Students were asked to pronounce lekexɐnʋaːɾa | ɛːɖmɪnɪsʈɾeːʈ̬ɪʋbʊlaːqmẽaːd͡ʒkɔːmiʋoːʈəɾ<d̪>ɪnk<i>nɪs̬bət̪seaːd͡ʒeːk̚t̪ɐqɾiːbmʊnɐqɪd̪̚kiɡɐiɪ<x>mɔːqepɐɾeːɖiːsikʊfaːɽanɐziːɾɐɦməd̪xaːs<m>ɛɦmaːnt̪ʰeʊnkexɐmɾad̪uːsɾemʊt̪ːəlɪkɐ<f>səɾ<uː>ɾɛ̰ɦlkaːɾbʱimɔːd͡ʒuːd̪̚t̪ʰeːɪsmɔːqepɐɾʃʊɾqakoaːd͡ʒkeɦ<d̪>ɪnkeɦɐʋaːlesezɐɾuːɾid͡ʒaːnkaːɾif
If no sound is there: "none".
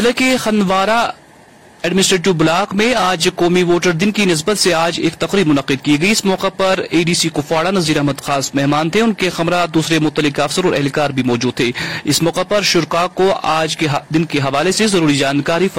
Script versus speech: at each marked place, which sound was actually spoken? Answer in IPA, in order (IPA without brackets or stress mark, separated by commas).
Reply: d̪, i, s, m, f, ɔː, d̪